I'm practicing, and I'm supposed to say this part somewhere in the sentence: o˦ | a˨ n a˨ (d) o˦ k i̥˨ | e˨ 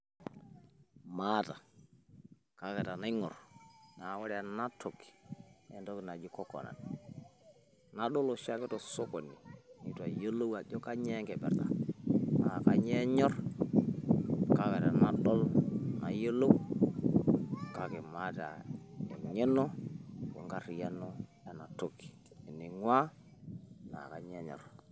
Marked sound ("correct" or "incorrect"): incorrect